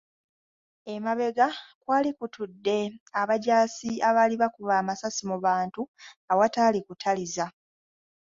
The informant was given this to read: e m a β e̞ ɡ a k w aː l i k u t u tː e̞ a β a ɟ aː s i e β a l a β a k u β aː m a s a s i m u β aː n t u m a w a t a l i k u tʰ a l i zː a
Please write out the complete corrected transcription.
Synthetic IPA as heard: e m a β e̞ ɡ a k w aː l i k u t u dː e̞ a β a ɟ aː s i a β a l i β a k u β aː m a s a s i m u β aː n t u a w a t a l i k u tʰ a l i z a